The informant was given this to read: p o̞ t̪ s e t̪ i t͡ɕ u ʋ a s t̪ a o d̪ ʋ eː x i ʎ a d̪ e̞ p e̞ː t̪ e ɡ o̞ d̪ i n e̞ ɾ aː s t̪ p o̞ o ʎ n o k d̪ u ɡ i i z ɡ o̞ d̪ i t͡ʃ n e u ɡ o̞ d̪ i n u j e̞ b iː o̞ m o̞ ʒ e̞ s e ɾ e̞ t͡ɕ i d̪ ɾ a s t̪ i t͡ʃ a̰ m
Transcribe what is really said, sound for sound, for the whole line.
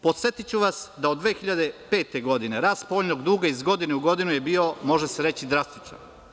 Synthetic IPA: p o̞ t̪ s e t̪ i t͡ɕ u ʋ a s d̪ a o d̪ ʋ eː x i ʎ a d̪ e̞ p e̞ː t̪ e ɡ o̞ d̪ i n e̞ ɾ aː s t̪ p o̞ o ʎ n o ɡ d̪ uː ɡ a i z ɡ o̞ d̪ i n e u ɡ o̞ d̪ i n u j e̞ b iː o̞ m o̞ ʒ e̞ s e ɾ e̞ t͡ɕ i d̪ ɾ a s t̪ i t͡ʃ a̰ n